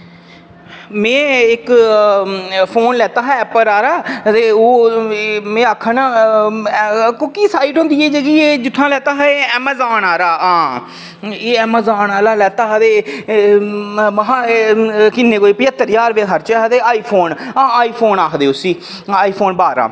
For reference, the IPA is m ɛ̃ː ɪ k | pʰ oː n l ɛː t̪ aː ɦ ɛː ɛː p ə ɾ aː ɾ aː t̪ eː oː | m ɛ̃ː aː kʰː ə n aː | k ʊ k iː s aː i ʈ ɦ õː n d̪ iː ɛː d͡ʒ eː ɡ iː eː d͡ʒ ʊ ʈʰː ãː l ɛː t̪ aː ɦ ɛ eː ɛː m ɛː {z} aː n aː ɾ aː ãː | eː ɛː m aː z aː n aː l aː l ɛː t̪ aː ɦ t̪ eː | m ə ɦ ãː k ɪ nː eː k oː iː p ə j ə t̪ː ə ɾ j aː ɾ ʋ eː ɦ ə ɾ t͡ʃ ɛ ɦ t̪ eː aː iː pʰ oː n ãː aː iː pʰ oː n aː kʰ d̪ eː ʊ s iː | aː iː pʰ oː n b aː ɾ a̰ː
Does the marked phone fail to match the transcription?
no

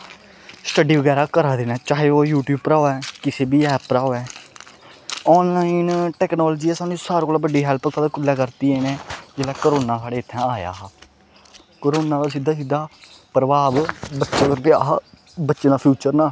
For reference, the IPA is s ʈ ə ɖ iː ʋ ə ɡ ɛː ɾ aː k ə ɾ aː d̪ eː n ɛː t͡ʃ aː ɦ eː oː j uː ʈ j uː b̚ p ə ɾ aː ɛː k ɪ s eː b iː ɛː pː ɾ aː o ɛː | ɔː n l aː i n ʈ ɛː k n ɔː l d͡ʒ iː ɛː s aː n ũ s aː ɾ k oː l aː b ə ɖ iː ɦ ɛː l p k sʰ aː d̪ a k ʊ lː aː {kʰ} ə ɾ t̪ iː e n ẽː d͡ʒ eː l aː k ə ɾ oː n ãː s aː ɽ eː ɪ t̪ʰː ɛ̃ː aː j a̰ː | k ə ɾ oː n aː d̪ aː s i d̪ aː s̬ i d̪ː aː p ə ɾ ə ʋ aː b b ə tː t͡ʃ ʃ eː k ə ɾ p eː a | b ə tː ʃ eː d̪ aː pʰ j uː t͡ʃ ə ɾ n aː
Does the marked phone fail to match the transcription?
yes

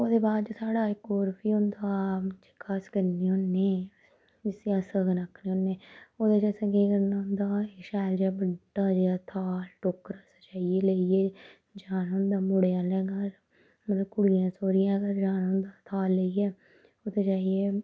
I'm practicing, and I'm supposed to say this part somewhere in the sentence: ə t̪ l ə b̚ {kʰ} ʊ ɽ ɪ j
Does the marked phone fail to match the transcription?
yes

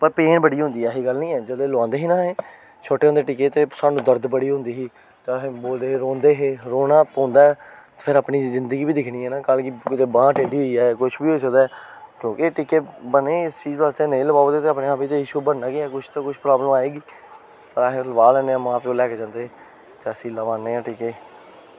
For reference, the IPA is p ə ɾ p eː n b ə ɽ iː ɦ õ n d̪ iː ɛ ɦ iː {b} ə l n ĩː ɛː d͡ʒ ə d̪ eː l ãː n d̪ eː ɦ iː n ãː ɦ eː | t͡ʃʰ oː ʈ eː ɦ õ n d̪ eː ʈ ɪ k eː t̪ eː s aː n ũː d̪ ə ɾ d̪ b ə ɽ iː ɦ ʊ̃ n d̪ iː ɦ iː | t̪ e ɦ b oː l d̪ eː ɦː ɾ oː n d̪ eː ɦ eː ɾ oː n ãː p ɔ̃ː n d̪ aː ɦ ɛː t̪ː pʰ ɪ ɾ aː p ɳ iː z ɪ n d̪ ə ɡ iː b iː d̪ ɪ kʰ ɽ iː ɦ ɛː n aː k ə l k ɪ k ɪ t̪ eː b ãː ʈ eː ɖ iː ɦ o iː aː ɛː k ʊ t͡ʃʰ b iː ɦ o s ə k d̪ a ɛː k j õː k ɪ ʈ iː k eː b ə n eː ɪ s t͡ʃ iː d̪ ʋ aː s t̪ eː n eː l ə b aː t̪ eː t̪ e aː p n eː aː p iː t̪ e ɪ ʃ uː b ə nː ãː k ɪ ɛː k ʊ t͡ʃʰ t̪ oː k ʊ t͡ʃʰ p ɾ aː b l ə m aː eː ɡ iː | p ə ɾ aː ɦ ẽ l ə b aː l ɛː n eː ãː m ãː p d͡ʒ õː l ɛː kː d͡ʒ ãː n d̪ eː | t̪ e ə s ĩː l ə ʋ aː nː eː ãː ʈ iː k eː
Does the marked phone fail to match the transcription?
yes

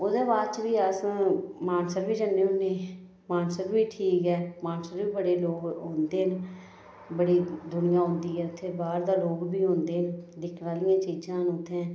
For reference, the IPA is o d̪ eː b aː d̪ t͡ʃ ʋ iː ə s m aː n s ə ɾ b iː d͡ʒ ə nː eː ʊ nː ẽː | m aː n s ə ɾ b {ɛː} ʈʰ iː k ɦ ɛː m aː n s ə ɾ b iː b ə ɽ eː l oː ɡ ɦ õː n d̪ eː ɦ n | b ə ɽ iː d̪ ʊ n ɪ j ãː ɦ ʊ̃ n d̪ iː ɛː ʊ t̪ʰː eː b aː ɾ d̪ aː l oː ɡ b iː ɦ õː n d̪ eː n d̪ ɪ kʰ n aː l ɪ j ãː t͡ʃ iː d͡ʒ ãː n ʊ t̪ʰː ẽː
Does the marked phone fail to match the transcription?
yes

